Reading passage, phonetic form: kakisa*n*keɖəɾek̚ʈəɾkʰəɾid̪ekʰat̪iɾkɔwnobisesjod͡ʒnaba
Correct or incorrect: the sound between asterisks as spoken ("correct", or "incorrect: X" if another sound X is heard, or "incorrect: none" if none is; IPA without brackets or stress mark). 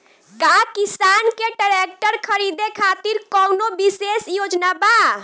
correct